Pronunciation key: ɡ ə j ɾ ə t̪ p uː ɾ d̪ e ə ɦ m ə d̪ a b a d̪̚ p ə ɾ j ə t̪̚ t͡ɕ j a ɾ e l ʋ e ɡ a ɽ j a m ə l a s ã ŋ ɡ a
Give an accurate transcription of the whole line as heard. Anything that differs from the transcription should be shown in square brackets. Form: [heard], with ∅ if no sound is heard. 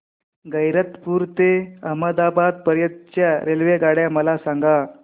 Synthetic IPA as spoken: ɡ ə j ɾ ə t̪ p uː ɾ [t̪] e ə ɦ m ə d̪ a b a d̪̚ p ə ɾ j ə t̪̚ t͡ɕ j a ɾ e l ʋ e ɡ a ɽ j a m ə l a s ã ŋ ɡ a